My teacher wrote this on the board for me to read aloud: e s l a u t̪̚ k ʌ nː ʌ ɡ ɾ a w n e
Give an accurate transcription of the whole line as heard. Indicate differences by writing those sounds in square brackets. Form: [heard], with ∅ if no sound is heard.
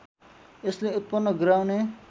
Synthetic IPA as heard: e s l [e] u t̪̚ [p] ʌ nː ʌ ɡ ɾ a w n e